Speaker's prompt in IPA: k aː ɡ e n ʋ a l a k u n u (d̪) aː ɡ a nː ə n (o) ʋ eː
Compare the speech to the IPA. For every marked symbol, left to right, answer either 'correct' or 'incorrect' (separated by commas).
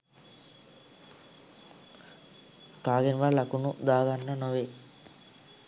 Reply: correct, correct